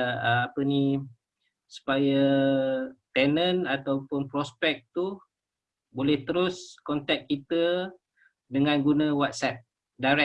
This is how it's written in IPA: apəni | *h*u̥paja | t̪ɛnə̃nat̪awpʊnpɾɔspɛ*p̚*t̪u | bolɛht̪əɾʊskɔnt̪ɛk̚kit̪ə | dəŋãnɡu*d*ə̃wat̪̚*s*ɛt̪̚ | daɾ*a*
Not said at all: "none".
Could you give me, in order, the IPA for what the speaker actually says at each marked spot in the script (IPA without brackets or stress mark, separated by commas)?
s, k̚, n, s, ɛ